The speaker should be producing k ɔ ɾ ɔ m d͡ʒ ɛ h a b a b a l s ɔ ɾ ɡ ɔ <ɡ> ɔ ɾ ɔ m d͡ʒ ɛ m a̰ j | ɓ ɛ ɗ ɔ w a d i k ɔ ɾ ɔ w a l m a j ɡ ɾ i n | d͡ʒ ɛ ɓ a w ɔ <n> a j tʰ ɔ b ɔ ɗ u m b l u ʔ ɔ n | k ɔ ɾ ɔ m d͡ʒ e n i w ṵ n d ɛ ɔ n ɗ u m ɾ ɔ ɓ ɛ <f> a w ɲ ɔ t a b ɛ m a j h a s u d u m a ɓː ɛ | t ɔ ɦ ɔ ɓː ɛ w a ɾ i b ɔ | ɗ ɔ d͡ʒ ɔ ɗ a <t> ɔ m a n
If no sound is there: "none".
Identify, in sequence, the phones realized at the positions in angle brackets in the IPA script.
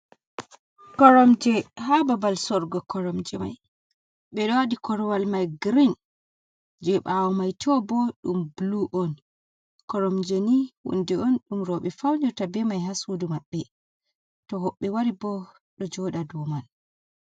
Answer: k, m, f, d

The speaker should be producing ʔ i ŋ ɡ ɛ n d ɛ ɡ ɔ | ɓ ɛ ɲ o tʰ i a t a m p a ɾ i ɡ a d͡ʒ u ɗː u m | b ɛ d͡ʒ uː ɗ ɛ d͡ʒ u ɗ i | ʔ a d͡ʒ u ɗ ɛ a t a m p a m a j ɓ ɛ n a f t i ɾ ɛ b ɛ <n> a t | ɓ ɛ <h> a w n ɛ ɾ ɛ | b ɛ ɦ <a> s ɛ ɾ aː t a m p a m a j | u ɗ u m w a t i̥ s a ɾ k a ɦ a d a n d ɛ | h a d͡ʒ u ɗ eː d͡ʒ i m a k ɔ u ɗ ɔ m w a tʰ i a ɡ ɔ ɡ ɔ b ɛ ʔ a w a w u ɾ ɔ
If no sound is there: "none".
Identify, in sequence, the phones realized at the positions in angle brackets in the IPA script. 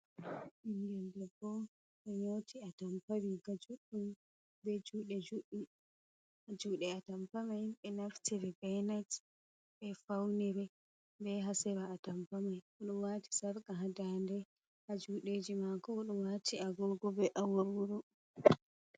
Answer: n, f, a

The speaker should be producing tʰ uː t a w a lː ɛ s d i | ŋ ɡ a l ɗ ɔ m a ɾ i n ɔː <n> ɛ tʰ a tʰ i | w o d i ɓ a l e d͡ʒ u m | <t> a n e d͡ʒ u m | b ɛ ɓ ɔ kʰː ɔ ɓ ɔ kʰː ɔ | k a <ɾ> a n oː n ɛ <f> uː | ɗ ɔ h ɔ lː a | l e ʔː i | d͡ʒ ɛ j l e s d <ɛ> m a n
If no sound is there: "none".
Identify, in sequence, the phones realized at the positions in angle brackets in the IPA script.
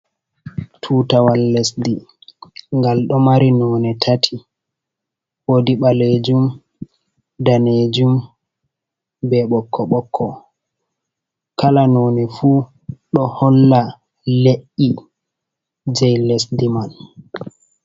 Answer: n, d, l, f, i

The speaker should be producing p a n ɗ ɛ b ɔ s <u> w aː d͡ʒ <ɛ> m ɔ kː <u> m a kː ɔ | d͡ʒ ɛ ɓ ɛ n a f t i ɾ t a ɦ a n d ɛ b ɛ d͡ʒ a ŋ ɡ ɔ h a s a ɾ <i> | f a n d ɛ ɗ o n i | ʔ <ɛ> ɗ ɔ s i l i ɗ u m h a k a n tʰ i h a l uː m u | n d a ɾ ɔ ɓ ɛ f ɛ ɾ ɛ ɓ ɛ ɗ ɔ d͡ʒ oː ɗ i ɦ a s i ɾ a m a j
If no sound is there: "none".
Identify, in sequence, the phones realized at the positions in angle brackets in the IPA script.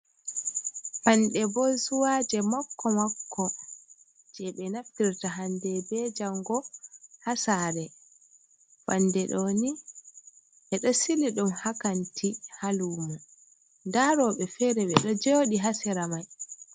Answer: u, ɛ, ɔ, ɛ, ɛ

